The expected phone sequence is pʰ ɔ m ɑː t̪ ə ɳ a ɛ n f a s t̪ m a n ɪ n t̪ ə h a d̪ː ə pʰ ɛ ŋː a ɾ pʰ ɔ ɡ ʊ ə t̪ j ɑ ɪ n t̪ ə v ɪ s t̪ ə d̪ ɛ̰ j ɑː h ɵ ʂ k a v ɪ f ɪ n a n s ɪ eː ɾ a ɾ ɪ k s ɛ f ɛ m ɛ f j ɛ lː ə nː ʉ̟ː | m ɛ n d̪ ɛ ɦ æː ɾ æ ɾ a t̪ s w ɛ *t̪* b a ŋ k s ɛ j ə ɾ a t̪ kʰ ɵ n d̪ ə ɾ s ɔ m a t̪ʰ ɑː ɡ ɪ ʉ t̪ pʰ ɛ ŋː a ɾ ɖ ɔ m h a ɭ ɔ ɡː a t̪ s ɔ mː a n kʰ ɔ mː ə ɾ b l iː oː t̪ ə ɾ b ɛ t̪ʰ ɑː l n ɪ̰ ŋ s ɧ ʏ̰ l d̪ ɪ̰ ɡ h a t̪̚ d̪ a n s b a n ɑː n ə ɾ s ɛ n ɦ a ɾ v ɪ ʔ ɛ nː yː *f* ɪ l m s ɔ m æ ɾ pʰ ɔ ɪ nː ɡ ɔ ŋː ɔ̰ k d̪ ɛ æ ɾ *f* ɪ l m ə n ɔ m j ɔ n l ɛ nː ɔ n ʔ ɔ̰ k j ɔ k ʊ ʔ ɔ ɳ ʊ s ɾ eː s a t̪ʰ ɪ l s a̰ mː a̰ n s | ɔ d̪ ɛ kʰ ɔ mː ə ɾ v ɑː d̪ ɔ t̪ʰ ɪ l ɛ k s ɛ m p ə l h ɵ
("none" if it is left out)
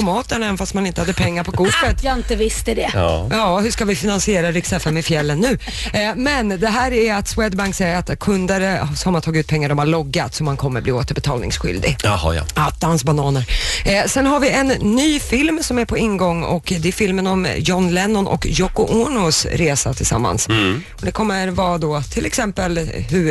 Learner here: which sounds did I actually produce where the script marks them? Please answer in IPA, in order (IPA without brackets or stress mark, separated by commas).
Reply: d̪, f, f